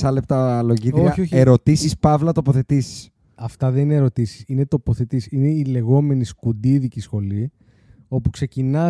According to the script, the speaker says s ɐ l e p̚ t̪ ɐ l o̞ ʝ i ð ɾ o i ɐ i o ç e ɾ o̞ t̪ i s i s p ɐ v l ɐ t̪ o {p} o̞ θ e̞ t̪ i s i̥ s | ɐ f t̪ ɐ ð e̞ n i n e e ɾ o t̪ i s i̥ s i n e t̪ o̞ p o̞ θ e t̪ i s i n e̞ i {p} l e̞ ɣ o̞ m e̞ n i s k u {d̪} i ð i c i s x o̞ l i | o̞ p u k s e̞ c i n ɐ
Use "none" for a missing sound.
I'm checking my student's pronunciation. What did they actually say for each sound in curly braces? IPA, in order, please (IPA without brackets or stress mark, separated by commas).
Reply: p, none, d̪